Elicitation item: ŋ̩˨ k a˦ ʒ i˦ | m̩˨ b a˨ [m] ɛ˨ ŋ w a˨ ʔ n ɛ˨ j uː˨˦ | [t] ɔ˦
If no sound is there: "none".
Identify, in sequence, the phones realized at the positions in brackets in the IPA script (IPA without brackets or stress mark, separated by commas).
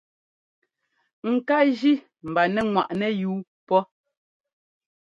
n, p